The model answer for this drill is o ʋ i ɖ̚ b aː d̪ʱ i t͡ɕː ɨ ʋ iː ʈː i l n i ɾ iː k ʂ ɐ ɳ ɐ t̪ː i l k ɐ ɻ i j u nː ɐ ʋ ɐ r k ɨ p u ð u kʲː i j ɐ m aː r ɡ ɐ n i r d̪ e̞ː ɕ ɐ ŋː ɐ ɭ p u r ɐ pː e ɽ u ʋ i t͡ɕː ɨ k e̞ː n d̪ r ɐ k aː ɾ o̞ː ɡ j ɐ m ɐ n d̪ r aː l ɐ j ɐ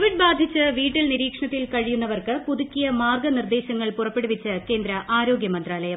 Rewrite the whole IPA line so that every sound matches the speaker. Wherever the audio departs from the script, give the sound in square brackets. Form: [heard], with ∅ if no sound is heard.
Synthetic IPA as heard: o ʋ i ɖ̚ b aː d̪ʱ i t͡ɕː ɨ ʋ iː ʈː i l n i ɾ iː k ʂ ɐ ɳ ɐ t̪ː i l k ɐ ɻ i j u nː ɐ ʋ ɐ r k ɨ p u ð u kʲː i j ɐ m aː r ɡ ɐ n i r d̪ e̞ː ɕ ɐ ŋː ɐ ɭ p u r ɐ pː e ɽ u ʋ i t͡ɕː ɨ k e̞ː n d̪ [ɾ] ɐ [ʔ] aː ɾ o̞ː ɡ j ɐ m ɐ n d̪ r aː l ɐ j ɐ